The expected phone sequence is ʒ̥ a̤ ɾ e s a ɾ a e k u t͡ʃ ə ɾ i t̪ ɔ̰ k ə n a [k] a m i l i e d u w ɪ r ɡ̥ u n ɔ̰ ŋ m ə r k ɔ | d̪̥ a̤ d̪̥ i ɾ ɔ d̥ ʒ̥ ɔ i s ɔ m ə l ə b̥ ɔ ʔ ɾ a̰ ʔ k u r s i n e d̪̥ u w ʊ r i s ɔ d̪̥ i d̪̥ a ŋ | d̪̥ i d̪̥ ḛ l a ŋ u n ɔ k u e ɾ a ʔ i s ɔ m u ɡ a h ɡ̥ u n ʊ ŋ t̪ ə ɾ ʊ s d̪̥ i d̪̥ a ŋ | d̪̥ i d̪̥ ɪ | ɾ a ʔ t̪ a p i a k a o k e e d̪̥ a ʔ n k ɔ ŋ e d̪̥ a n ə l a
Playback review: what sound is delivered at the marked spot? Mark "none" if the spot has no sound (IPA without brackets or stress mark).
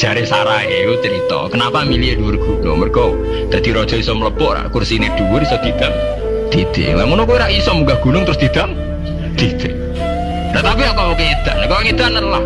p